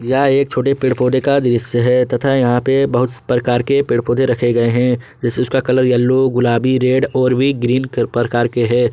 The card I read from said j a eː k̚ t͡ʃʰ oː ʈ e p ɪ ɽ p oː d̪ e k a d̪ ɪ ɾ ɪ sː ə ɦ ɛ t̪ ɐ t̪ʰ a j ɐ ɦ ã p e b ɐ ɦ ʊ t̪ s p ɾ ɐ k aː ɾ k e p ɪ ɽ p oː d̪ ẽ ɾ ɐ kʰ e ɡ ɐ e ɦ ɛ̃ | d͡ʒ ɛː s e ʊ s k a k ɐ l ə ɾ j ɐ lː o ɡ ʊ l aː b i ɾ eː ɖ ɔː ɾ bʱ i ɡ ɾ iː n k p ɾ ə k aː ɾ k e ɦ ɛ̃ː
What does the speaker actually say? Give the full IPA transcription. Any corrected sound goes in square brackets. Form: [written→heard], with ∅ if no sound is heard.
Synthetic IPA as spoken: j a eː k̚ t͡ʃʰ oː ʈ e p ɪ ɽ p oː d̪ e k a d̪ ɪ ɾ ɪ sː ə ɦ ɛ t̪ ɐ t̪ʰ a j ɐ ɦ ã p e b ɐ ɦ ʊ t̪ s p ɾ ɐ k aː ɾ k e p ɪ ɽ p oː d̪ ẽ ɾ ɐ kʰ e ɡ ɐ e ɦ ɛ̃ | d͡ʒ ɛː s e ʊ s k a k ɐ l ə ɾ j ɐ lː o ɡ ʊ l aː b i ɾ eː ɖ ɔː ɾ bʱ i ɡ ɾ iː n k p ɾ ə k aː ɾ k e ɦ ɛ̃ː